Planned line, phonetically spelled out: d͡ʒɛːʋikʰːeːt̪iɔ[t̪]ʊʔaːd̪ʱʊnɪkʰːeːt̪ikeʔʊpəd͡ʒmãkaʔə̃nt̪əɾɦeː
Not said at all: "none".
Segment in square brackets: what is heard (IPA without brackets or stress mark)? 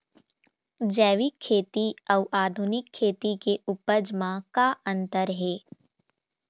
none